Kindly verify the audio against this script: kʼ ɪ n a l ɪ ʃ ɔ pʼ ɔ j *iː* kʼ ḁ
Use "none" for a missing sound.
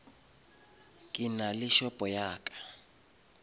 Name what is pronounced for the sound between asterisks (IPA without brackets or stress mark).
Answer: aː